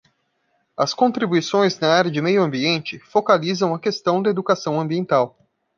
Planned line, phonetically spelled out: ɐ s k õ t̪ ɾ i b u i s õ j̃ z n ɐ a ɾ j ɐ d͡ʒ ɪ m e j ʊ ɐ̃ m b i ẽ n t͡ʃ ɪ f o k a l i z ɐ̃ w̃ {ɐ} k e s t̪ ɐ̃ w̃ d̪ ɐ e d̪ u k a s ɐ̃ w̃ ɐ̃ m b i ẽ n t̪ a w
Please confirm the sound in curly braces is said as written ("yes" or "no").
yes